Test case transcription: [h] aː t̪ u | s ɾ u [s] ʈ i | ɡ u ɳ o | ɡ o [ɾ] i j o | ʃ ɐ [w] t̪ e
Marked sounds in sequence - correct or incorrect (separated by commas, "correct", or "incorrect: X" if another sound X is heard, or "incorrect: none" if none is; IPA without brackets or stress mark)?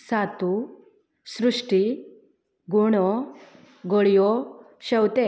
incorrect: s, incorrect: ʂ, incorrect: ɭ, correct